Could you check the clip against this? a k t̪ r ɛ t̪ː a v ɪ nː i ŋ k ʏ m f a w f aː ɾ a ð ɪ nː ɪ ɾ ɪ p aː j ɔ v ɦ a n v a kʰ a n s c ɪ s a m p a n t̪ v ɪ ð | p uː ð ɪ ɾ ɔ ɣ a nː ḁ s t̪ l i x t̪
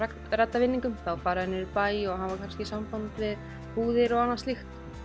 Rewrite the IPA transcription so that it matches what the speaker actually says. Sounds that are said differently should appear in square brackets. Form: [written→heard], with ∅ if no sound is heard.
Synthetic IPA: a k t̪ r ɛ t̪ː a v ɪ nː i ŋ k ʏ m [f→θ] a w f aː ɾ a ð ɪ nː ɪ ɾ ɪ p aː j ɔ [v→ɣ] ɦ a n v a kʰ a n s c ɪ s a m p a n t̪ v ɪ ð | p uː ð ɪ ɾ ɔ ɣ a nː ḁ s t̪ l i x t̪